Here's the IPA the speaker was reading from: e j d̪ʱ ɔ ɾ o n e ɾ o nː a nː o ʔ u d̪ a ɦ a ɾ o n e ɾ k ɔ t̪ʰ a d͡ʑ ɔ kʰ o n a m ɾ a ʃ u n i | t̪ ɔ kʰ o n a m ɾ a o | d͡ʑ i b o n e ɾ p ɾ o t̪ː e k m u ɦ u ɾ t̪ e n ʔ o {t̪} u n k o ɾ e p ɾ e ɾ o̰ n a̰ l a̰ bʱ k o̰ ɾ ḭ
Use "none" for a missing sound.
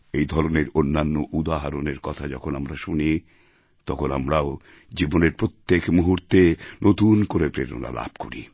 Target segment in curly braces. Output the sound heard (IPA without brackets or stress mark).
t̪